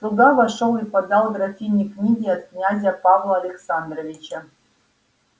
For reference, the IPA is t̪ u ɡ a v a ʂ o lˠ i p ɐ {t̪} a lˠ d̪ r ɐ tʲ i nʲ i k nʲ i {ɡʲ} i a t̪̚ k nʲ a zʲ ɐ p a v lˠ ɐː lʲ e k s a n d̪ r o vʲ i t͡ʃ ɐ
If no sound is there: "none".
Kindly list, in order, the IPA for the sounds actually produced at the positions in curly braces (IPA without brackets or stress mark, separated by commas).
d̪, ɡʲ